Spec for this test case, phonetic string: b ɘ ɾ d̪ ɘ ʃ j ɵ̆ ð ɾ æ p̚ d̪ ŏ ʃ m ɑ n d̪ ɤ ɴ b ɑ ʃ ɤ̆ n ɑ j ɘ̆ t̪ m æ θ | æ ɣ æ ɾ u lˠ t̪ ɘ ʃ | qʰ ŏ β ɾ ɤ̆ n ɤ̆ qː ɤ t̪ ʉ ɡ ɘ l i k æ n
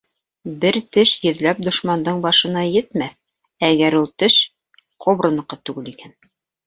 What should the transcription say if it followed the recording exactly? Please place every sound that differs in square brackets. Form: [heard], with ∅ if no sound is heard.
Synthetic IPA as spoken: b ɘ ɾ [t̪] ɘ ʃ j ɵ̆ ð [l] æ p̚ d̪ ŏ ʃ m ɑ n d̪ ɤ ɴ b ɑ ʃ ɤ̆ n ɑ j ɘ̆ t̪ m æ θ | æ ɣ æ ɾ u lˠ t̪ ɘ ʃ | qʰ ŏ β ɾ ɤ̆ n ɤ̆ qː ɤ t̪ ʉ ɡ ɘ l i k æ n

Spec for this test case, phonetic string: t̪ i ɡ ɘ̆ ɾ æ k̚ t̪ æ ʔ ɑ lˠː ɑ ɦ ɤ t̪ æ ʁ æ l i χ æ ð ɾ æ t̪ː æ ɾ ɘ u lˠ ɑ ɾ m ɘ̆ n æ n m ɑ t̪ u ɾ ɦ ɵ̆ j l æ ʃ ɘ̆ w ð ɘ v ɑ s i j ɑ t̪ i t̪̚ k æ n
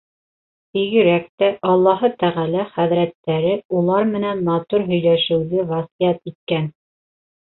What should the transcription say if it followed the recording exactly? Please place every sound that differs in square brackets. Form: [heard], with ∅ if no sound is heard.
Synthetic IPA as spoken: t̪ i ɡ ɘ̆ ɾ æ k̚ t̪ æ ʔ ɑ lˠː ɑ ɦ ɤ t̪ æ ʁ æ l [æ] χ æ ð ɾ æ t̪ː æ ɾ ɘ u lˠ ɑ ɾ m ɘ̆ n æ n m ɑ t̪ u ɾ ɦ ɵ̆ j l æ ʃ ɘ̆ w ð ɘ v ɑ s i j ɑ t̪ i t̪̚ k æ n

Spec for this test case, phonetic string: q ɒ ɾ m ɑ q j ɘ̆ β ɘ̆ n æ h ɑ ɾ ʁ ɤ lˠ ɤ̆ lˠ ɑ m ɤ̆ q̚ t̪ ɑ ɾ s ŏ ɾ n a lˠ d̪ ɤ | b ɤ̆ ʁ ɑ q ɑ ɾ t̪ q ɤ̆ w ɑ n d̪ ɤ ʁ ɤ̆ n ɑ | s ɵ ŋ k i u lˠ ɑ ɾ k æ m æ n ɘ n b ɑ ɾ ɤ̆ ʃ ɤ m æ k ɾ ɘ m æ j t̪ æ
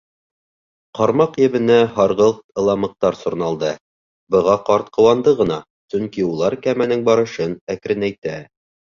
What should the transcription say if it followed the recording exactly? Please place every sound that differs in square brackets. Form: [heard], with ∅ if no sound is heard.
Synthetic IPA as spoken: q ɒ ɾ m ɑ q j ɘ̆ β ɘ̆ n æ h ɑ ɾ ʁ ɤ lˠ ɤ̆ lˠ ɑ m ɤ̆ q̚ t̪ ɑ ɾ s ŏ ɾ n [ɑ] lˠ d̪ ɤ | b ɤ̆ ʁ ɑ q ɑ ɾ t̪ q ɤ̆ w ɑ n d̪ ɤ ʁ ɤ̆ n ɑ | s ɵ ŋ k i u lˠ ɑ ɾ k æ m æ n ɘ [ŋ] b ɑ ɾ ɤ̆ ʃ ɤ [n] æ k ɾ ɘ [n] æ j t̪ æ

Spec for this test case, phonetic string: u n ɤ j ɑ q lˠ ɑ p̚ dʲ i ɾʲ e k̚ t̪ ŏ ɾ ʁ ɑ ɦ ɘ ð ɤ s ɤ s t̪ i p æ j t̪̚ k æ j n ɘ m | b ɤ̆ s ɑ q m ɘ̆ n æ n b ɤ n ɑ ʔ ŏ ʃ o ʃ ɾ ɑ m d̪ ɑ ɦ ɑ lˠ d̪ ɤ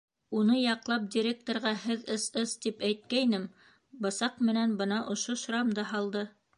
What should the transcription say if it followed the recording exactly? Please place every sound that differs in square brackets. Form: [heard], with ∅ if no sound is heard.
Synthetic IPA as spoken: u n ɤ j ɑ q lˠ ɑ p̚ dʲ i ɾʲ e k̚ t̪ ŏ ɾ ʁ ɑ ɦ ɘ ð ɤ s ɤ s t̪ i p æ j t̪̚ k æ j n ɘ m | b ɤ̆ s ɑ q m ɘ̆ n æ n b ɤ n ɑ ʔ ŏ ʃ o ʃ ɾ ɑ m d̪ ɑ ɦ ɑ lˠ d̪ ɤ

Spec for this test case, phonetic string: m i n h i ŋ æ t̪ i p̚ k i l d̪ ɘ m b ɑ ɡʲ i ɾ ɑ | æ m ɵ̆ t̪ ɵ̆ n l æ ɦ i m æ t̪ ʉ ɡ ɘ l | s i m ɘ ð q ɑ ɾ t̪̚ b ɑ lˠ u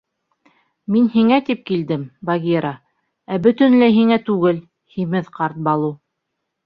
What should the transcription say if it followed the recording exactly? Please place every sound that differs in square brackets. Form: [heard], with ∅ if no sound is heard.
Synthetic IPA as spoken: m i n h i ŋ æ t̪ i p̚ k i l d̪ ɘ m b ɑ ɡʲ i ɾ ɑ | æ [b] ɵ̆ t̪ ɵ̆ n l æ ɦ i [ŋ] æ t̪ ʉ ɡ ɘ l | [h] i m ɘ ð q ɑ ɾ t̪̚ b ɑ lˠ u

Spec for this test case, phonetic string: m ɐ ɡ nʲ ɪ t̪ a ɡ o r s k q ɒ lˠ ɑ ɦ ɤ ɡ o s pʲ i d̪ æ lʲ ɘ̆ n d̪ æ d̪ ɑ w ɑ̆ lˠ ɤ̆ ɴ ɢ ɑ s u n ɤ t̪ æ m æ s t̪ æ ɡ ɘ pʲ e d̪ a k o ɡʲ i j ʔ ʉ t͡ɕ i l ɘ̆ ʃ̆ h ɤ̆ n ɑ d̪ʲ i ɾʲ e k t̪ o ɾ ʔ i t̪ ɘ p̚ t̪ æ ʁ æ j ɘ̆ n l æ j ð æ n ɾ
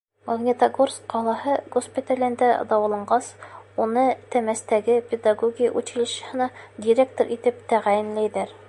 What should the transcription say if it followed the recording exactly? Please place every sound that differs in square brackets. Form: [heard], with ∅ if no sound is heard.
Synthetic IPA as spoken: m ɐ ɡ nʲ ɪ t̪ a ɡ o r s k q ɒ lˠ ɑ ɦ ɤ ɡ o s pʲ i [t̪] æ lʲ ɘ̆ n d̪ æ d̪ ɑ w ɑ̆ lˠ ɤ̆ ɴ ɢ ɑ s u n ɤ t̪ æ m æ s t̪ æ ɡ ɘ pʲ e d̪ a [ɡ] o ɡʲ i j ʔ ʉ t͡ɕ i l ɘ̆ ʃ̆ h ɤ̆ n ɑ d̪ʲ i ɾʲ e k t̪ o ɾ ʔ i t̪ ɘ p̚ t̪ æ ʁ æ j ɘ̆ n l æ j ð æ [∅] ɾ

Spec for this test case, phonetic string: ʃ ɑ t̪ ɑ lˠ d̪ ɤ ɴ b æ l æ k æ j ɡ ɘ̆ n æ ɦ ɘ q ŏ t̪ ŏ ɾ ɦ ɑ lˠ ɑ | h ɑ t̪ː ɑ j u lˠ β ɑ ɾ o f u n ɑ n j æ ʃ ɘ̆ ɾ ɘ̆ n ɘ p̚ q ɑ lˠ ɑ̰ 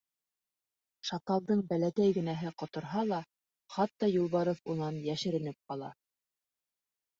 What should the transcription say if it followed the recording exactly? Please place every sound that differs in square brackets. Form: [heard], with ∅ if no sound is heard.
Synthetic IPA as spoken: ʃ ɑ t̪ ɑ lˠ d̪ ɤ ɴ b æ l æ k æ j ɡ ɘ̆ n æ ɦ ɘ q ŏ t̪ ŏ ɾ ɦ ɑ lˠ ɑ | [χ] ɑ t̪ː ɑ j u lˠ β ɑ ɾ o f u n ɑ n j æ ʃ ɘ̆ ɾ ɘ̆ n ɘ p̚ q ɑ lˠ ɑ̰

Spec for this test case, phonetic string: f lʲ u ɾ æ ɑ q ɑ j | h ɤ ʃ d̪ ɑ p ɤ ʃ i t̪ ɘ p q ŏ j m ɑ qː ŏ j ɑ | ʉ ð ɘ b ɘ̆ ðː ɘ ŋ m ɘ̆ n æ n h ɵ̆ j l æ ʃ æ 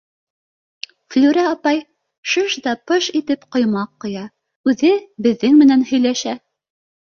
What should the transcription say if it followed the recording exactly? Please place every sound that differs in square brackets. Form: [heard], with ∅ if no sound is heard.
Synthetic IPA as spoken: f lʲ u ɾ æ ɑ [p] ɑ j | [ʃ] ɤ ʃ d̪ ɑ p ɤ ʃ i t̪ ɘ p q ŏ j m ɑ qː ŏ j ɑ | ʉ ð ɘ b ɘ̆ ðː ɘ ŋ m ɘ̆ n æ n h ɵ̆ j l æ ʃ æ

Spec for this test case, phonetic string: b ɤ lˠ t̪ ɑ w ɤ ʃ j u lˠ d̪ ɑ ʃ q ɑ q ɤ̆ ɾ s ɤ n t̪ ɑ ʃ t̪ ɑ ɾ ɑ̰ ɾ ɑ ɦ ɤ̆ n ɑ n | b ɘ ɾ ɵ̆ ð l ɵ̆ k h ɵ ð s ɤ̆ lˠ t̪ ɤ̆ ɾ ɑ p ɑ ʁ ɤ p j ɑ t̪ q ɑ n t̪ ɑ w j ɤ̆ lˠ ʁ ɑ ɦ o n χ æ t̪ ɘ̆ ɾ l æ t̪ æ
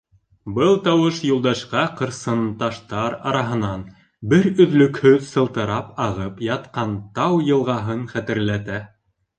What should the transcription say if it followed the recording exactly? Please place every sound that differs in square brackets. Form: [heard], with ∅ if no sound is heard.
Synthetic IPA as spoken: b ɤ lˠ t̪ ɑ w ɤ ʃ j u lˠ d̪ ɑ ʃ q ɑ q ɤ̆ ɾ s ɤ n t̪ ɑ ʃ t̪ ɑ ɾ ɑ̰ ɾ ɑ ɦ ɤ̆ n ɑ n | b ɘ ɾ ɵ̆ ð l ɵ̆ k h ɵ ð s ɤ̆ lˠ t̪ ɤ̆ ɾ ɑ p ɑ ʁ ɤ p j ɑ t̪ q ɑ n t̪ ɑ w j ɤ̆ lˠ ʁ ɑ ɦ [ɤ] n χ æ t̪ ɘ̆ ɾ l æ t̪ æ

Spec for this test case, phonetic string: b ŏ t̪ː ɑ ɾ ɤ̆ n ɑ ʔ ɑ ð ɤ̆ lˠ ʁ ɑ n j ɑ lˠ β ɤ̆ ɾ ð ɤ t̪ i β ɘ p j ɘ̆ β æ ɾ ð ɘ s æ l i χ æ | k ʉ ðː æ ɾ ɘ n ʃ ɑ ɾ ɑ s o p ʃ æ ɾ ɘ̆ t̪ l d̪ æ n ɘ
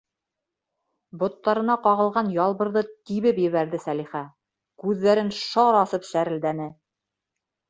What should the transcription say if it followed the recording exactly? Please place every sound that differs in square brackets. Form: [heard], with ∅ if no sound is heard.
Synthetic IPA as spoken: b ŏ t̪ː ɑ ɾ ɤ̆ n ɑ [q] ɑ [ʁ] ɤ̆ lˠ ʁ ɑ n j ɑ lˠ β ɤ̆ ɾ ð ɤ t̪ i β ɘ p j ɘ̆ β æ ɾ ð ɘ s æ l i χ æ | k ʉ ðː æ ɾ ɘ n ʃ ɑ ɾ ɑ s [ɤ] p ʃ æ ɾ ɘ̆ [∅] l d̪ æ n ɘ

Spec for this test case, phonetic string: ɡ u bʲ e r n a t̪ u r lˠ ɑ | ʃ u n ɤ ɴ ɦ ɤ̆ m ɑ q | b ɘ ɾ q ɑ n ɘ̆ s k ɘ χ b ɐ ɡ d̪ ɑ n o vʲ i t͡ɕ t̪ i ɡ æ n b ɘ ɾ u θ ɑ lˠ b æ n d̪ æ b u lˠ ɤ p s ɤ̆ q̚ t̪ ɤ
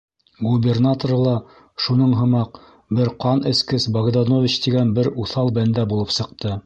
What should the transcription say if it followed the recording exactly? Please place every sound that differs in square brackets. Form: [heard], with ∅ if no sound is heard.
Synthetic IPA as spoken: ɡ u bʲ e r n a t̪ [o] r lˠ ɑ | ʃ u n ɤ ɴ ɦ ɤ̆ m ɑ q | b ɘ ɾ q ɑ n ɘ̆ s k ɘ [s] b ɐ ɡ d̪ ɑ n o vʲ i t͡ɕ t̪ i ɡ æ n b ɘ ɾ u θ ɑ lˠ b æ n d̪ æ b u lˠ ɤ p s ɤ̆ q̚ t̪ ɤ

